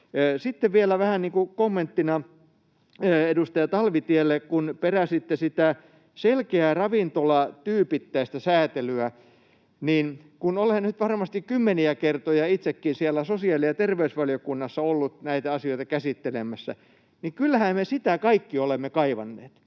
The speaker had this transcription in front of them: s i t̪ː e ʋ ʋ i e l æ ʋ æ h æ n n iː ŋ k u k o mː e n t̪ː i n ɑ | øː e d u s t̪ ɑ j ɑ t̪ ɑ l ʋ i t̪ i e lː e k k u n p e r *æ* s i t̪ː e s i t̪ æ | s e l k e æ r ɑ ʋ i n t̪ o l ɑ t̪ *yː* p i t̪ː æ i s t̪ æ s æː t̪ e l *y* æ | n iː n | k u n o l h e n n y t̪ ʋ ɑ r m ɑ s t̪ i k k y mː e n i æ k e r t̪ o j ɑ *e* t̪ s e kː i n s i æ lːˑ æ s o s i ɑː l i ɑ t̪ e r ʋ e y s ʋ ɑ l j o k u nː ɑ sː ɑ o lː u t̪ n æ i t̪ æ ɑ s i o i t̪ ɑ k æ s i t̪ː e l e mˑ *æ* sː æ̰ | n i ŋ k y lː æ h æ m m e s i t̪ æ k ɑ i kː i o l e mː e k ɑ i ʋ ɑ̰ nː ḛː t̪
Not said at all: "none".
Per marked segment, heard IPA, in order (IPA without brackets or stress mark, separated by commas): æ, yː, y, i, æ